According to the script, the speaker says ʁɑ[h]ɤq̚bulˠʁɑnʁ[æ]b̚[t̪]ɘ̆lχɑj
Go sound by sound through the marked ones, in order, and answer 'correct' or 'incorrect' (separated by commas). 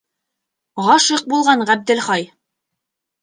incorrect, correct, incorrect